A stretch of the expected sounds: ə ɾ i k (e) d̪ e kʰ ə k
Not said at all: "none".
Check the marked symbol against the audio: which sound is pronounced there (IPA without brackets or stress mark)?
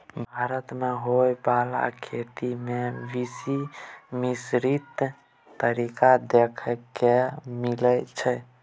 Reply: a